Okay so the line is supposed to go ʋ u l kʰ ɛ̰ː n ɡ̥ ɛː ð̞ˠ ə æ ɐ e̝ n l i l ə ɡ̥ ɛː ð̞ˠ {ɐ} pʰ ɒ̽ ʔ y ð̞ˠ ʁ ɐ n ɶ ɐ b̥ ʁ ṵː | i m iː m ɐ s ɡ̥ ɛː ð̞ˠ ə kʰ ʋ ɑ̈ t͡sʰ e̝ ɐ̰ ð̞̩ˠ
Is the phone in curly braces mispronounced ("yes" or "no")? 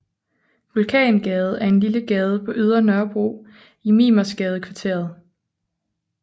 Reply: yes